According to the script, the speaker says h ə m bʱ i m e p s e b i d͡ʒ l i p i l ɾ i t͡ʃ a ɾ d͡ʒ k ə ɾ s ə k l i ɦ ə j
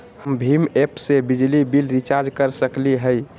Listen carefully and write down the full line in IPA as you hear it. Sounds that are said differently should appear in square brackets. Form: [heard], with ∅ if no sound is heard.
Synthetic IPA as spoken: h ə m bʱ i m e p s e b i d͡ʒ l i [b] i l ɾ i t͡ʃ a ɾ d͡ʒ k ə ɾ s ə k l i ɦ ə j